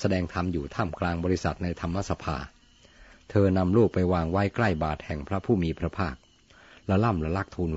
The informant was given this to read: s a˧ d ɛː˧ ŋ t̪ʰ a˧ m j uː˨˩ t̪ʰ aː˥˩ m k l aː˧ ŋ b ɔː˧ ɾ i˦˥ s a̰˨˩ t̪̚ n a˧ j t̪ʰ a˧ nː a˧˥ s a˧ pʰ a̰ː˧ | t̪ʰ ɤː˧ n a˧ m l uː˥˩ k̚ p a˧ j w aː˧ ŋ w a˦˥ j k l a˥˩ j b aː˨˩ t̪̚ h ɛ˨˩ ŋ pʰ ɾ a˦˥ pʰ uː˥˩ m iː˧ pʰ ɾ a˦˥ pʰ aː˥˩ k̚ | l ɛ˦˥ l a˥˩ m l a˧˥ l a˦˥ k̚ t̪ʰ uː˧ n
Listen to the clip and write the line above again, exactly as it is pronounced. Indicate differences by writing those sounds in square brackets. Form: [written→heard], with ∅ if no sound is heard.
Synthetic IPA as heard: s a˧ d ɛː˧ ŋ t̪ʰ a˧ m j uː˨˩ t̪ʰ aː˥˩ m k l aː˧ ŋ b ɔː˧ ɾ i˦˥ s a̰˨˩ t̪̚ n a˧ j t̪ʰ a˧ [nː→mː] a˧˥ s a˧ pʰ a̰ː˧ | t̪ʰ ɤː˧ n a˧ m l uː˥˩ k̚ p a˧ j w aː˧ ŋ w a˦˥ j k l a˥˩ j b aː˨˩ t̪̚ h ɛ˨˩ ŋ pʰ ɾ a˦˥ pʰ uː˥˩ m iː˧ pʰ ɾ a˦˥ pʰ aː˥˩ k̚ | l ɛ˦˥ l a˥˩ m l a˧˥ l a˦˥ k̚ t̪ʰ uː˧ n